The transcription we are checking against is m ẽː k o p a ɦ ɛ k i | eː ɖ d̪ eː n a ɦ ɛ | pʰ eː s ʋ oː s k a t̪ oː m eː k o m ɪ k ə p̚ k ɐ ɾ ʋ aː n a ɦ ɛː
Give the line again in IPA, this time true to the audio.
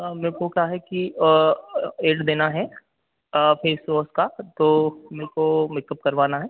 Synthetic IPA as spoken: m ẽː k o k a ɦ ɛ k i | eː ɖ d̪ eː n a ɦ ɛ | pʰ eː s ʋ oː s k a t̪ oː m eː k o m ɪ k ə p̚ k ɐ ɾ ʋ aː n a ɦ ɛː

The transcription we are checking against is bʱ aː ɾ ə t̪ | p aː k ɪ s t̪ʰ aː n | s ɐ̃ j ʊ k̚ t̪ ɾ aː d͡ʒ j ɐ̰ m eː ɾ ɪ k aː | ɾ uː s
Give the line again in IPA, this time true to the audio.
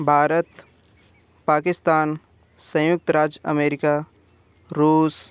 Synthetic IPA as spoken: bʱ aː ɾ ə t̪ | p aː k ɪ s t̪ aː n | s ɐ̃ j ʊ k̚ t̪ ɾ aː d͡ʒ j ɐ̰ m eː ɾ ɪ k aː | ɾ uː s

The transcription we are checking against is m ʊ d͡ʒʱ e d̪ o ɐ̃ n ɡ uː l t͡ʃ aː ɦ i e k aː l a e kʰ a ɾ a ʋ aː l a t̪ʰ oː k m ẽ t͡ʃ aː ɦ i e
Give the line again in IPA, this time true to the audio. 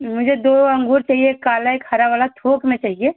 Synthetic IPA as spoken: m ʊ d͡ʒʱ e d̪ o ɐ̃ ŋ ɡ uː ɾ t͡ʃ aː ɦ i e k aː l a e kʰ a ɾ a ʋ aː l a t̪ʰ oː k m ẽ t͡ʃ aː ɦ i e

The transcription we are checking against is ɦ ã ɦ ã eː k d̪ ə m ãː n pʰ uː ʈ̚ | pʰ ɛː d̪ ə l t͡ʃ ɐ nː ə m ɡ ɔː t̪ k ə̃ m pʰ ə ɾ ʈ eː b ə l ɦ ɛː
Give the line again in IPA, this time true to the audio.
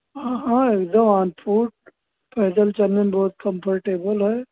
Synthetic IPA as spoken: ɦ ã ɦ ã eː k d̪ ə m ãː n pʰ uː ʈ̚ | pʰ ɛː d̪ ə l t͡ʃ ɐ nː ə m b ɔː t̪ k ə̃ m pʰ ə ɾ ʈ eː b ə l ɦ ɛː

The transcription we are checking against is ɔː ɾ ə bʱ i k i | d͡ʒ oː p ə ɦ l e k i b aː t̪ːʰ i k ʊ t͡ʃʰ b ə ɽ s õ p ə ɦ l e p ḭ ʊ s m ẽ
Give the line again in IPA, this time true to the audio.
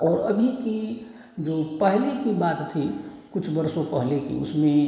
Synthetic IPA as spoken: ɔː ɾ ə bʱ i k i | d͡ʒ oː p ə ɦ l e k i b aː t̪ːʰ i k ʊ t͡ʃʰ b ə ɾ s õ p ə ɦ l e k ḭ ʊ s m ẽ

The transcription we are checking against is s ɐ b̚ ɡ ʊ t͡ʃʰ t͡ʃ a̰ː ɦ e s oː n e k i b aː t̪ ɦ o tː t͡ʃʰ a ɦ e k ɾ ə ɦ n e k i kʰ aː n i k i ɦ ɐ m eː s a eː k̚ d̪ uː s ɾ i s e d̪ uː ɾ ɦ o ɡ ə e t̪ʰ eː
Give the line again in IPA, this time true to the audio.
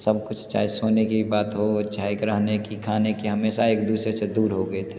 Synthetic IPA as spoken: s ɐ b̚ k ʊ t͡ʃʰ t͡ʃ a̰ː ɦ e s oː n e k i b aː t̪ ɦ o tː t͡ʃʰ a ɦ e k ɾ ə ɦ n e k i kʰ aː n e k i ɦ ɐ m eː s a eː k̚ d̪ uː s ɾ e s e d̪ uː ɾ ɦ o ɡ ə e t̪ʰ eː

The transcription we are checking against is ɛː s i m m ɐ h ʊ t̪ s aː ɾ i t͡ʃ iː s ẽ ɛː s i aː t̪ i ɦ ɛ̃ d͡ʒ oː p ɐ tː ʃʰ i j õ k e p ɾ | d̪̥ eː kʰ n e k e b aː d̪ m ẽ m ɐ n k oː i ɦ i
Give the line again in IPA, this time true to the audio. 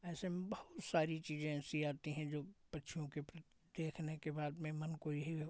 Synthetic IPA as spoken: ɛː s e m b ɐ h ʊ t̪ s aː ɾ i t͡ʃ iː z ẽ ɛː s i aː t̪ i ɦ ɛ̃ d͡ʒ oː p ɐ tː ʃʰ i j õ k e p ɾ | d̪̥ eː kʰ n e k e b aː d̪ m ẽ m ɐ n k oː i ɦ i

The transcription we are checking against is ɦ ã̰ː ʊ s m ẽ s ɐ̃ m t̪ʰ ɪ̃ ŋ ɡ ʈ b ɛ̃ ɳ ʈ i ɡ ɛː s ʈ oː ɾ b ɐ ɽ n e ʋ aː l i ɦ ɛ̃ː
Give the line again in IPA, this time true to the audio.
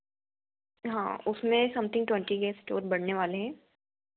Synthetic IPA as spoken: ɦ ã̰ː ʊ s m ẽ s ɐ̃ m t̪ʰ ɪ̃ ŋ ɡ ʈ w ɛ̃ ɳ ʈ i ɡ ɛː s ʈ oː ɾ b ɐ ɽ n e ʋ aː l e ɦ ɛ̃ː

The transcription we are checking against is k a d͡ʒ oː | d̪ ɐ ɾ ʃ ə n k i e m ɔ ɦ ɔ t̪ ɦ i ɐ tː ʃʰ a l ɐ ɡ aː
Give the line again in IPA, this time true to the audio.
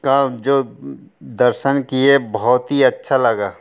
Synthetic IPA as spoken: k a d͡ʒ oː | d̪ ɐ ɾ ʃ ə n k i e b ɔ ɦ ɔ t̪ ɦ i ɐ tː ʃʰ a l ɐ ɡ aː

